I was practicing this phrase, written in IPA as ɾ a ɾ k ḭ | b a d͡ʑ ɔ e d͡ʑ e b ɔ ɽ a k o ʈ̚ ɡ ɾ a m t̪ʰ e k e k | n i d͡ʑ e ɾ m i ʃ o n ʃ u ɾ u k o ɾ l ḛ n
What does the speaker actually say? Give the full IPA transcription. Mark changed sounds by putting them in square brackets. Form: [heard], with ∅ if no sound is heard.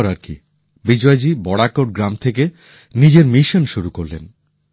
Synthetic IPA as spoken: ɾ a ɾ k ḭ | b [i] d͡ʑ ɔ e d͡ʑ [i] b ɔ ɽ a k o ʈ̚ ɡ ɾ a m t̪ʰ e k e [∅] | n i d͡ʑ e ɾ m i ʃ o n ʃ u ɾ u k o ɾ l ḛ n

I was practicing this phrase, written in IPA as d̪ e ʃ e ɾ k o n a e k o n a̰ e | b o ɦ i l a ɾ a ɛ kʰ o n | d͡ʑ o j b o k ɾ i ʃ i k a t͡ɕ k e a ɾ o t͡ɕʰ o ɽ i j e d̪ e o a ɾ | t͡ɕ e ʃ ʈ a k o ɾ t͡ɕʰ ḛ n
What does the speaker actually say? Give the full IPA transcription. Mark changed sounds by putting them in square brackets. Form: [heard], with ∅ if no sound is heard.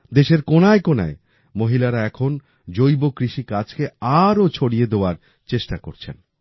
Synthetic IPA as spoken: d̪ e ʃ e ɾ k o n a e k o n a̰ e | [m] o ɦ i l a ɾ a ɛ kʰ o n | d͡ʑ o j b o k ɾ i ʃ i k a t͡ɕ k e a ɾ o t͡ɕʰ o ɽ i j e d̪ e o a ɾ | t͡ɕ e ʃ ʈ a k o ɾ t͡ɕʰ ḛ n

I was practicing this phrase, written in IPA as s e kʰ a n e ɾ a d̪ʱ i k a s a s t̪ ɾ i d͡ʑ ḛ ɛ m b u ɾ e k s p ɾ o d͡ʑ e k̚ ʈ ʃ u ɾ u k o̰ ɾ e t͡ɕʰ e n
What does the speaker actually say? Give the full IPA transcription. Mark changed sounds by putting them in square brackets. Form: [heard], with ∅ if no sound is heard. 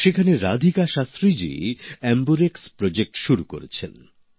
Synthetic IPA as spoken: [ʃ] e kʰ a n e ɾ a d̪ʱ i k a [ʃ] a s t̪ ɾ i d͡ʑ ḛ ɛ m b u ɾ e k s p ɾ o d͡ʑ e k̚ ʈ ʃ u ɾ u k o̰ ɾ e t͡ɕʰ e n

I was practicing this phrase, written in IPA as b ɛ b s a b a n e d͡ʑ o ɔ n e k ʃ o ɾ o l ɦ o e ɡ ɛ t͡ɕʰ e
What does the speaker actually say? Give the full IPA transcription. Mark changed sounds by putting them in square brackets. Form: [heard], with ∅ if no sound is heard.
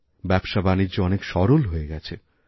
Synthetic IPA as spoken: b ɛ b [ʃ] a b a n [i] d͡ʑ o ɔ n e k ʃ [ɔ] ɾ o l ɦ o e ɡ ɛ t͡ɕʰ e

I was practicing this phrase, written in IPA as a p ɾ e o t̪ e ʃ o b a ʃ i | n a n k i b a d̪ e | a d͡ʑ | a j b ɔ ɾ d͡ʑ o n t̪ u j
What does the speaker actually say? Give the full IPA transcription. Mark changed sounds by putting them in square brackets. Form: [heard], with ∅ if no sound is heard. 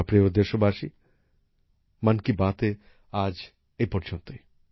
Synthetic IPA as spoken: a p ɾ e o [d̪] e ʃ o b a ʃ i | [m] a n k i b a [t̪] e | a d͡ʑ | [e] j [p] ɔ ɾ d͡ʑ o n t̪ [o] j

